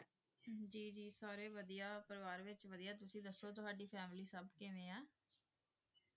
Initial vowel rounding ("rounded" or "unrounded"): unrounded